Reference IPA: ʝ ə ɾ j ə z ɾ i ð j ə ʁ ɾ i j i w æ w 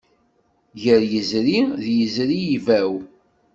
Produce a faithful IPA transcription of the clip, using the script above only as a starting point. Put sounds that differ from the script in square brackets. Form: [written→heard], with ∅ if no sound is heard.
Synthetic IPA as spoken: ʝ ə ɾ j ə z ɾ i ð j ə [ʁ→z] ɾ i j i [w→v] æ w